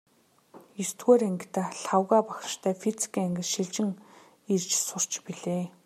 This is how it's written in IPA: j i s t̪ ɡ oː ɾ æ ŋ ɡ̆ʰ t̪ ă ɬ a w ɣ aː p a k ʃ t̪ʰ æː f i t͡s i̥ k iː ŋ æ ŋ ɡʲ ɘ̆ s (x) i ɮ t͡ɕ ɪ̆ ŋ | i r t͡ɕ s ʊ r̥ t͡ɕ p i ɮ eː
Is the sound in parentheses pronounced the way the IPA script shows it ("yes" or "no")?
no